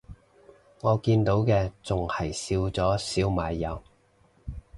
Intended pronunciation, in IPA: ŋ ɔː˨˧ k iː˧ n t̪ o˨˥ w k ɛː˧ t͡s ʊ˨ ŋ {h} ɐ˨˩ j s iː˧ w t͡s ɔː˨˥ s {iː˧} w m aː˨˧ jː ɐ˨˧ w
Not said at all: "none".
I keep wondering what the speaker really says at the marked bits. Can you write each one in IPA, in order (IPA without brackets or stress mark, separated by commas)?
h, iː˨˥